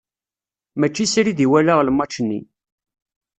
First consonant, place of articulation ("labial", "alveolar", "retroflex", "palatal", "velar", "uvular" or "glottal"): labial